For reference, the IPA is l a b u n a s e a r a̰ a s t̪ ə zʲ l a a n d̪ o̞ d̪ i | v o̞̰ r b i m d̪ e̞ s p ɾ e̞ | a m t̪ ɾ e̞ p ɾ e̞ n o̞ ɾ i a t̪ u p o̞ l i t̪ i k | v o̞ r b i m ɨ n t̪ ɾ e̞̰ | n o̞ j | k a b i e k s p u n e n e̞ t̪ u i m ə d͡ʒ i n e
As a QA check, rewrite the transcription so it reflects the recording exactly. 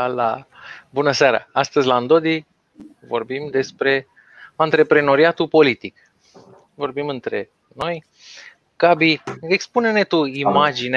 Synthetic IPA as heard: l a b u n ə s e a ɾ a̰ a s t̪ ə zʲ l a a n d̪ o̞ d̪ i | v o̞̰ r b i m d̪ e̞ s p ɾ e̞ | a n t̪ ɾ e̞ p ɾ e̞ n o̞ ɾ i a t̪ u p o̞ l i t̪ i k | v o̞ r b i m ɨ n t̪ ɾ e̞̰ | n o̞ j | k a b i e k s p u n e n e̞ t̪ u i m a d͡ʒ i n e